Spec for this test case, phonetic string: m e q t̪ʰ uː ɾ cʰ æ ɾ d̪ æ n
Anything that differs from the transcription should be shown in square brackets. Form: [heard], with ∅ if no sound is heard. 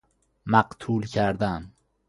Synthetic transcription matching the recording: m [æ] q t̪ʰ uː [l] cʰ æ ɾ d̪ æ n